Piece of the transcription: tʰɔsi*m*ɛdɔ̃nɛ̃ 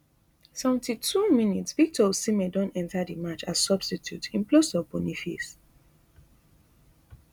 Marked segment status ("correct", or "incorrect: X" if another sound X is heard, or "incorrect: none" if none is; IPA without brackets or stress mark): correct